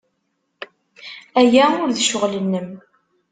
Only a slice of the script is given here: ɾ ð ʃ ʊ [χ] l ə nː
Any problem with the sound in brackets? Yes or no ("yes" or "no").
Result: yes